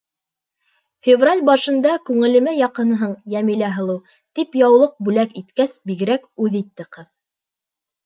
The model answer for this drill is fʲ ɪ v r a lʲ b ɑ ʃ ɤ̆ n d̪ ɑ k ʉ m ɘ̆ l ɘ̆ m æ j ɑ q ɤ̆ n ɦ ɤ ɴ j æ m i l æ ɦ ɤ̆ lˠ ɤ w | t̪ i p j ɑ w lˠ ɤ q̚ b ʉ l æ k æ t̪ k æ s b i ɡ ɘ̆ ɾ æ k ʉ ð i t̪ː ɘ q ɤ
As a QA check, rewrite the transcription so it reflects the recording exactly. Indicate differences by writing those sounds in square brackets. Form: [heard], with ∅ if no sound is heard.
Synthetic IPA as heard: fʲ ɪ v r a lʲ b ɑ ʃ ɤ̆ n d̪ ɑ k ʉ [ŋ] ɘ̆ l ɘ̆ m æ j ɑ q ɤ̆ n ɦ ɤ ɴ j æ m i l æ ɦ ɤ̆ lˠ ɤ w | t̪ i p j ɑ w lˠ ɤ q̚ b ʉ l æ k [i] t̪ k æ s b i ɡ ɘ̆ ɾ æ k ʉ ð i t̪ː ɘ q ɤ